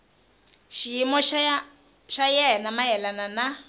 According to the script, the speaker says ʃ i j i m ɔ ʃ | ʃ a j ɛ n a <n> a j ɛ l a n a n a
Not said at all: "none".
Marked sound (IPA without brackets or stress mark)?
m